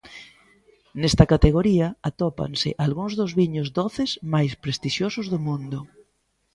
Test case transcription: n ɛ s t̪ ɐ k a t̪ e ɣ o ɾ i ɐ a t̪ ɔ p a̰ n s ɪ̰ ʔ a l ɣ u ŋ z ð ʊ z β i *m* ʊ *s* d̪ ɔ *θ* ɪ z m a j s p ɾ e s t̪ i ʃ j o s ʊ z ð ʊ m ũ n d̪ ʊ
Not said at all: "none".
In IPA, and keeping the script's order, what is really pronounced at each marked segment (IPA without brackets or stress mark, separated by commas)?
ɲ, z, θ